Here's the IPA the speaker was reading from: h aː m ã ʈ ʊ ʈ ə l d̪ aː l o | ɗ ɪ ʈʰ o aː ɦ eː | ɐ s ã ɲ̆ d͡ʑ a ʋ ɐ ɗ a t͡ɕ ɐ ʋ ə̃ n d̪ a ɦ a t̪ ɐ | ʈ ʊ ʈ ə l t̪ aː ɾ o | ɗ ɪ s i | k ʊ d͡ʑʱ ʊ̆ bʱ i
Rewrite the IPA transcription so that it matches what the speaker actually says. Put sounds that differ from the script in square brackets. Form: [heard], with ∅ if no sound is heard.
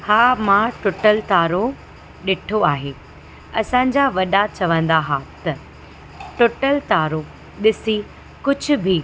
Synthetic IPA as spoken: h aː m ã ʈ ʊ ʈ ə l [t̪] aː [ɾ] o | ɗ ɪ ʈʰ o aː ɦ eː | ɐ s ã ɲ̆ d͡ʑ a ʋ ɐ ɗ a t͡ɕ ɐ ʋ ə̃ n d̪ a ɦ a t̪ ɐ | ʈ ʊ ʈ ə l t̪ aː ɾ o | ɗ ɪ s i | k ʊ d͡ʑʱ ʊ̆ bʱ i

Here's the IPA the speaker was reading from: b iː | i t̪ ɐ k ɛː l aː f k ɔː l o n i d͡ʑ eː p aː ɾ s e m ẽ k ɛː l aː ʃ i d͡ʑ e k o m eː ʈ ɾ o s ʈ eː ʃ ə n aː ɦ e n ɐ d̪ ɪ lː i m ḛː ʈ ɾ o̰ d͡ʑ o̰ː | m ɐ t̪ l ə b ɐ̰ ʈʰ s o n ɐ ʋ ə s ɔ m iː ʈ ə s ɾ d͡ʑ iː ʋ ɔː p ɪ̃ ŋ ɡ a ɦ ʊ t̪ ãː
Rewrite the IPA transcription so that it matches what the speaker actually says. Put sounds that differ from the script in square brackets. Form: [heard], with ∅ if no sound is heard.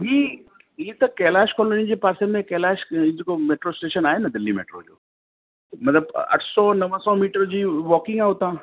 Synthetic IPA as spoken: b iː | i t̪ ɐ k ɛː l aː [ʃ] k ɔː l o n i d͡ʑ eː p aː ɾ s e m ẽ k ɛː l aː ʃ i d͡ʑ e k o m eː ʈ ɾ o s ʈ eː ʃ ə n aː ɦ e n ɐ d̪ ɪ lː i m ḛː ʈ ɾ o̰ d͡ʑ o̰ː | m ɐ t̪ l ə b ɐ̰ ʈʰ s [ɔ] n ɐ ʋ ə s ɔ m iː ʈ ə [∅] ɾ d͡ʑ iː ʋ ɔː [k] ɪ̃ ŋ ɡ a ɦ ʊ t̪ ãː

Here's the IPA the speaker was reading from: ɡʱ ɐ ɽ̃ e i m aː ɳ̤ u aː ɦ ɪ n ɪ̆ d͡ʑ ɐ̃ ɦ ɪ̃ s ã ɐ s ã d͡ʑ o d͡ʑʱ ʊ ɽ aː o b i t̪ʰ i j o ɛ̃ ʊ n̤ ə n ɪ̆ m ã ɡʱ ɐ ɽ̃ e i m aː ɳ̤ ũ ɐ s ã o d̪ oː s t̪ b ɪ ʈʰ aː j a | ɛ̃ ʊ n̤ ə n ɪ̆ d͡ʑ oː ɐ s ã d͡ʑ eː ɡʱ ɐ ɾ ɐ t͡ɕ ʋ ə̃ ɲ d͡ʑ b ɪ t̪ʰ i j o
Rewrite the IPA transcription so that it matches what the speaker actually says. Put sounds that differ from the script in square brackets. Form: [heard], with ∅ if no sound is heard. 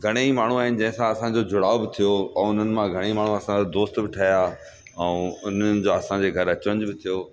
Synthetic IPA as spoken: ɡʱ ɐ ɽ̃ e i m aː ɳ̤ u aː ɦ ɪ n ɪ̆ d͡ʑ ɐ̃ ɦ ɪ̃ s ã ɐ s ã d͡ʑ o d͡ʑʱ ʊ ɽ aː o b [ɪ] t̪ʰ i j o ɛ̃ ʊ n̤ ə n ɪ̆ m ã ɡʱ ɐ ɽ̃ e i m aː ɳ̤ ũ ɐ s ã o d̪ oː s t̪ b ɪ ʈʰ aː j a | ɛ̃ ʊ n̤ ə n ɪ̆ d͡ʑ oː ɐ s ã d͡ʑ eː ɡʱ ɐ ɾ ɐ t͡ɕ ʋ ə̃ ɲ d͡ʑ b ɪ t̪ʰ i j o

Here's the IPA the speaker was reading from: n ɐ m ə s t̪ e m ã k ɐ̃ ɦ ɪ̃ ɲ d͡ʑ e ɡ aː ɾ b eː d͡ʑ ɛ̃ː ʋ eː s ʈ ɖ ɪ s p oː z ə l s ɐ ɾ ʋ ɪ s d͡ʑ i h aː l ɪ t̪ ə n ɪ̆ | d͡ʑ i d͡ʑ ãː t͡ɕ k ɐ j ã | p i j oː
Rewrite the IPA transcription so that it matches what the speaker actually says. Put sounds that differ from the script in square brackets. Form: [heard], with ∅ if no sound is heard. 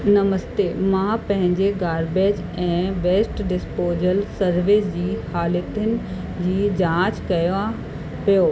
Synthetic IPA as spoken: n ɐ m ə s t̪ e m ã [p] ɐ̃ ɦ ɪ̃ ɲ d͡ʑ e ɡ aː ɾ b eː d͡ʑ ɛ̃ː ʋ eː s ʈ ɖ ɪ s p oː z ə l s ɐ ɾ ʋ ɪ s d͡ʑ [iː] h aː l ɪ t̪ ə n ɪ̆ | d͡ʑ [iː] d͡ʑ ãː t͡ɕ k ɐ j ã | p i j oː

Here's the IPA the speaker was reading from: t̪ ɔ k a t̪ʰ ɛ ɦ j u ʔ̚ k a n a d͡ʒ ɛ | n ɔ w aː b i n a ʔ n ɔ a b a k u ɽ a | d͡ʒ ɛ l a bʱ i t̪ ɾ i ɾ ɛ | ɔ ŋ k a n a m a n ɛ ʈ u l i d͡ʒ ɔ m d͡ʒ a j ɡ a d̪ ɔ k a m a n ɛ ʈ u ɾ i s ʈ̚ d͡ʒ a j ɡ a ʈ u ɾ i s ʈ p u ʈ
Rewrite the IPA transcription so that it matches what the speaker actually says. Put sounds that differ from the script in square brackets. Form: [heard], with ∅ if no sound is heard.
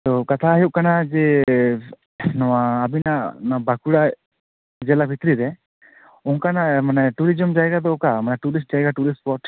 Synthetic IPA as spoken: t̪ ɔ k a t̪ʰ [a] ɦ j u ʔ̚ k a n a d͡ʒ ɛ | n ɔ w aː b i n a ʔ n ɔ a b a k u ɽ a | d͡ʒ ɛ l a bʱ i t̪ ɾ i ɾ ɛ | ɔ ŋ k a n a m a n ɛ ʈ u [ɾ] i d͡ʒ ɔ m d͡ʒ a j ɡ a d̪ ɔ k a m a n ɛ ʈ u ɾ i s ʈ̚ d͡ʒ a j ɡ a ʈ u ɾ i s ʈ p [ɔ] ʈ

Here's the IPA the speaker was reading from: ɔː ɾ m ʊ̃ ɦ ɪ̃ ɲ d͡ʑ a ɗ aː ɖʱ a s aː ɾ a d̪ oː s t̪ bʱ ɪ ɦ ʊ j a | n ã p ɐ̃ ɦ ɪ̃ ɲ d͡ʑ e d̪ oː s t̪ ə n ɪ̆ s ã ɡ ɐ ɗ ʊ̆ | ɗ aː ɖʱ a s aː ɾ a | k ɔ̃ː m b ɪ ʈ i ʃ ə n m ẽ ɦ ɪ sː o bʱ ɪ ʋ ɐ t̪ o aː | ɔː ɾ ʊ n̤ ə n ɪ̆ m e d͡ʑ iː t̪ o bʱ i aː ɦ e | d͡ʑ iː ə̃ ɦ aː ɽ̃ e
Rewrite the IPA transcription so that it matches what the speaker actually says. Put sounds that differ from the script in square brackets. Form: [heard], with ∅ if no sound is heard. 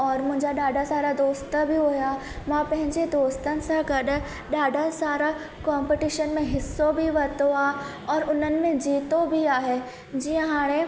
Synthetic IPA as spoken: ɔː ɾ m ʊ̃ ɦ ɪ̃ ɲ d͡ʑ a ɗ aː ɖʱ a s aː ɾ a d̪ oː s t̪ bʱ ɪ ɦ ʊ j a | [m] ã p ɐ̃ ɦ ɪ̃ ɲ d͡ʑ e d̪ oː s t̪ ə n ɪ̆ s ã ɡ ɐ ɗ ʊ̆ | ɗ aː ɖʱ a s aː ɾ a | k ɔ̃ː m [p] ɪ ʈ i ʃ ə n m ẽ ɦ ɪ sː o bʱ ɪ ʋ ɐ t̪ o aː | ɔː ɾ ʊ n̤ ə n ɪ̆ m [ẽ] d͡ʑ iː t̪ o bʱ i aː ɦ e | d͡ʑ iː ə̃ ɦ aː ɽ̃ e

